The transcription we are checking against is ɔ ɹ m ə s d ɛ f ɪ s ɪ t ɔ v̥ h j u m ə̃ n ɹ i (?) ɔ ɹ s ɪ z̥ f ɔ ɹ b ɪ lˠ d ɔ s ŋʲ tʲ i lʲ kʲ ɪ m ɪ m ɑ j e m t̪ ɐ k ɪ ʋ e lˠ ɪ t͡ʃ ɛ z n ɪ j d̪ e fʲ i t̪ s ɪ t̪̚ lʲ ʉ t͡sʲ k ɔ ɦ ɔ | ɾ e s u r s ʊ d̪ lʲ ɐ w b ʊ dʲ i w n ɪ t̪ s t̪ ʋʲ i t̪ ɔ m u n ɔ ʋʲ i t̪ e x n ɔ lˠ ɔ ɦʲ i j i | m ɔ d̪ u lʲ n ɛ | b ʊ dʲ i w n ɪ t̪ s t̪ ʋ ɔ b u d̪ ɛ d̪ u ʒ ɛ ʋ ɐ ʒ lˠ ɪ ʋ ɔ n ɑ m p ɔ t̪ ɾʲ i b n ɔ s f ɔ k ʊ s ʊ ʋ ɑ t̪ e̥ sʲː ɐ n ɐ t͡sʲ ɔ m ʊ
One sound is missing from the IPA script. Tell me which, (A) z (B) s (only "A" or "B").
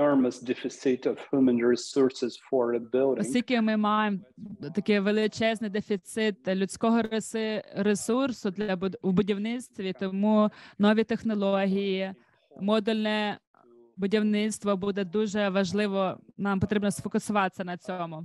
B